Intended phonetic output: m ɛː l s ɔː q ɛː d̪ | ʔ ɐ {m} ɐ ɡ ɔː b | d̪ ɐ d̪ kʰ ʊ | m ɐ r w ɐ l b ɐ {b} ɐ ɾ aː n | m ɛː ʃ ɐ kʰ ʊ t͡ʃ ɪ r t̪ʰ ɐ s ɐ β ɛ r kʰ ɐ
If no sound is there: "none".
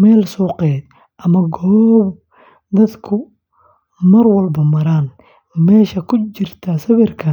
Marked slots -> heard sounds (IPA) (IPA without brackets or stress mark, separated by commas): m, m